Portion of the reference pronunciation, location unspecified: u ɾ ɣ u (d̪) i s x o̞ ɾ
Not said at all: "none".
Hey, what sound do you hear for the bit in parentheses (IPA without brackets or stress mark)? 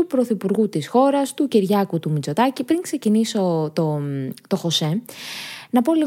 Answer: t̪